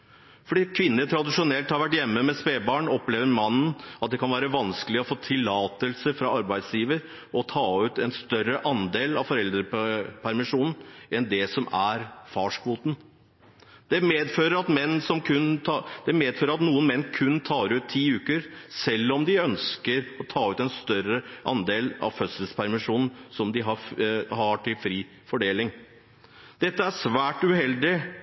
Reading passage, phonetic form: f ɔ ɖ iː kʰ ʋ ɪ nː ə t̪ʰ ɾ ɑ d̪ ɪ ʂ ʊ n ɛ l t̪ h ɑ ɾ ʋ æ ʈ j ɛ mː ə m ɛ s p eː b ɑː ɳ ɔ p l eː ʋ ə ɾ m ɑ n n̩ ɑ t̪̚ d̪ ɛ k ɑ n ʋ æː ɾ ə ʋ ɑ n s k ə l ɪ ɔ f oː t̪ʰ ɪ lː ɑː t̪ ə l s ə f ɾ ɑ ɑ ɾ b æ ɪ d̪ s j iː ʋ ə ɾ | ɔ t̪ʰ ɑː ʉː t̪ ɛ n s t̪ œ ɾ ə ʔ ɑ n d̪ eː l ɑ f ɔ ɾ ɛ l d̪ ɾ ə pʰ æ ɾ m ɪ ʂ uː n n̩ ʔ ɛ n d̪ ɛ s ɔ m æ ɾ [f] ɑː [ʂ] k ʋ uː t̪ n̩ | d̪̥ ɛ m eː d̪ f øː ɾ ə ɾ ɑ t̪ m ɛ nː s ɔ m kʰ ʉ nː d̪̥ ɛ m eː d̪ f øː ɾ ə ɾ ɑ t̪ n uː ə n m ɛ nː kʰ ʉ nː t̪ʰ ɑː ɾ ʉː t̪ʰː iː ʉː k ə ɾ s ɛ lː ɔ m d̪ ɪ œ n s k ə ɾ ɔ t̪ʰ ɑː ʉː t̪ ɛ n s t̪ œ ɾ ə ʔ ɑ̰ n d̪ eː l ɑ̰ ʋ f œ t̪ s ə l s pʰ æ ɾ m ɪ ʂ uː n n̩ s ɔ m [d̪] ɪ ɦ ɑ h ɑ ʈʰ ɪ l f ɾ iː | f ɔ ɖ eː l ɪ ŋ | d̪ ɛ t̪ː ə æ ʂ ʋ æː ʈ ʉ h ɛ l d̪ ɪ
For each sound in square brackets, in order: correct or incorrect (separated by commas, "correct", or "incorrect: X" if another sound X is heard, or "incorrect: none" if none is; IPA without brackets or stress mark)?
correct, correct, correct